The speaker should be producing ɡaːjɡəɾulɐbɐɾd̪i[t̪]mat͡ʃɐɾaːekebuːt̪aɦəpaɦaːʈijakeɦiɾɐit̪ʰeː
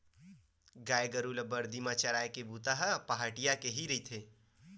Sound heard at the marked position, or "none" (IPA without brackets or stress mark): none